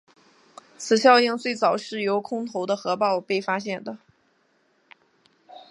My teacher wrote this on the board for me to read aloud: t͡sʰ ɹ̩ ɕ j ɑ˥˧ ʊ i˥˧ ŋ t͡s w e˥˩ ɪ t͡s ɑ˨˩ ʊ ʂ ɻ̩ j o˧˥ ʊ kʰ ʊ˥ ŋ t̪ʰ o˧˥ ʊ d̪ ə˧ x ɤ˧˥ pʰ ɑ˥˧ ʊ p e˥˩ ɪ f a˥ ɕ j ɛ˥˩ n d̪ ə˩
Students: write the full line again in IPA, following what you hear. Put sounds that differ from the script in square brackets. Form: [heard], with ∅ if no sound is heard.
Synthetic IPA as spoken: t͡sʰ ɹ̩ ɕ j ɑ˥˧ ʊ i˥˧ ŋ t͡s w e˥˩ ɪ t͡s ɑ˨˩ ʊ ʂ ɻ̩ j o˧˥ ʊ kʰ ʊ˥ ŋ t̪ʰ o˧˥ ʊ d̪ ə˧ x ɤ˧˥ [p] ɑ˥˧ ʊ p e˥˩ ɪ f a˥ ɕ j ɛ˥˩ n d̪ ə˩